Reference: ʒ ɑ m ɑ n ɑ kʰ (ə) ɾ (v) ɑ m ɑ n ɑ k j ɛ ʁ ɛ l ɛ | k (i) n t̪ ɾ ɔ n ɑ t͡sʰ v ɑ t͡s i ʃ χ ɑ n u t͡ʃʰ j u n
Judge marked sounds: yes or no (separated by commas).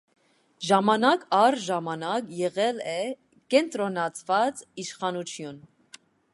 no, no, no